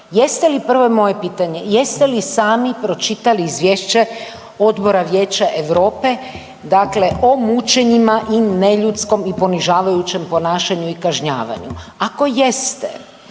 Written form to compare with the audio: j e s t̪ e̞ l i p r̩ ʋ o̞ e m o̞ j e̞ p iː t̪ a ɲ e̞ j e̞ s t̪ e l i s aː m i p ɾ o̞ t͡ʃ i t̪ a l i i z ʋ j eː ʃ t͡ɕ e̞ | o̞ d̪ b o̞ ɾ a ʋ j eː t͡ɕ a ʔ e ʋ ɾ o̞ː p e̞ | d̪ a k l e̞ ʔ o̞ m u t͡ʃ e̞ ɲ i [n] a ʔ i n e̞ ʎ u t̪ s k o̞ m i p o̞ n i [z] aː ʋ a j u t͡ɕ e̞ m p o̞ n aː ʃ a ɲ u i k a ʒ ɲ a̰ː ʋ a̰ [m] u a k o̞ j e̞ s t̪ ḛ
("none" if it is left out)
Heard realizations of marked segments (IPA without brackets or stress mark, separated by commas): m, ʒ, ɲ